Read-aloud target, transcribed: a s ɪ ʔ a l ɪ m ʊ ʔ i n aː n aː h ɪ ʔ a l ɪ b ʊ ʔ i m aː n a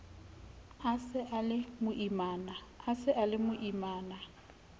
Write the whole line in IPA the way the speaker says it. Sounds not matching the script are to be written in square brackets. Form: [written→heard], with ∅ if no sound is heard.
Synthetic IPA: a s ɪ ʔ a l ɪ m ʊ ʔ i [n→m] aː n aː [h→s] ɪ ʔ a l ɪ [b→m] ʊ ʔ i m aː n a

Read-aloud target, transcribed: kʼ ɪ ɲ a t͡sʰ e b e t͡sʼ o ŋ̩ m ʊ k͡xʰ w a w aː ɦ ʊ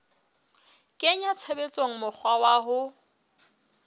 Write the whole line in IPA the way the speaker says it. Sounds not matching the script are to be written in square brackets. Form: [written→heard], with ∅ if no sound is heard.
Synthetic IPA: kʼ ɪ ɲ a t͡sʰ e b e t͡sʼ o ŋ̩ m ʊ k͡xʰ w a w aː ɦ ʊ

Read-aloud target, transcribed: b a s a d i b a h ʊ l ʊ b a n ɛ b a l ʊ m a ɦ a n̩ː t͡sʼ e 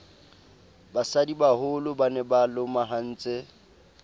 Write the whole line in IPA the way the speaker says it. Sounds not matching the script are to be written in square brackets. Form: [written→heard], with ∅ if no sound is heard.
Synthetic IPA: b a s a d i b a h ʊ l ʊ b a n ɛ b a l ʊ m a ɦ a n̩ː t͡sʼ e

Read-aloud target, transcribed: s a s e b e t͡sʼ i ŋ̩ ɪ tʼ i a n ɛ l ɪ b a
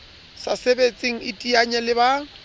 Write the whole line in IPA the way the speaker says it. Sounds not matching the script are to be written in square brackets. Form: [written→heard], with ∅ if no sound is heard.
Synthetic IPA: s a s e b e t͡sʼ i ŋ̩ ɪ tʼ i a [n→ɲ] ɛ l ɪ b a

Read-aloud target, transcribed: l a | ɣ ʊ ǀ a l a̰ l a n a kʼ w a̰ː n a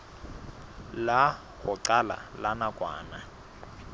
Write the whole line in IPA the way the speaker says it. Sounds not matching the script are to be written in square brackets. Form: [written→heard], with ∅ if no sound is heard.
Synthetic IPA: l a | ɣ ʊ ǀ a l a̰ l a n a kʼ w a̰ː n a

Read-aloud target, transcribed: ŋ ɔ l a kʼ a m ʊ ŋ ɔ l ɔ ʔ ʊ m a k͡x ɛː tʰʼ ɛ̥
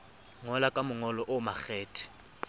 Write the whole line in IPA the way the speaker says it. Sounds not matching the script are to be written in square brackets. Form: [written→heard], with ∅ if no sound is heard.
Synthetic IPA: ŋ ɔ l a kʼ a m ʊ ŋ ɔ l ɔ ʔ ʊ m a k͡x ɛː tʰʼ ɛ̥

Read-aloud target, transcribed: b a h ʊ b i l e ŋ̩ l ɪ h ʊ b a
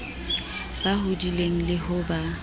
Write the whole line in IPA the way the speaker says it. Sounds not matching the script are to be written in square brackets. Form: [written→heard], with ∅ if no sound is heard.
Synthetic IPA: b a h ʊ [b→d] i l e ŋ̩ l ɪ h ʊ b a

